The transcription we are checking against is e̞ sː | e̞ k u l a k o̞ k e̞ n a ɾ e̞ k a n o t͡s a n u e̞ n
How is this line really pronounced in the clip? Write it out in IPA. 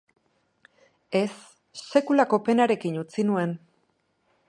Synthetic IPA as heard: e̞ sː | e̞ k u l a k o̞ p e̞ n a ɾ e̞ k i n u t͡s i n u e̞ n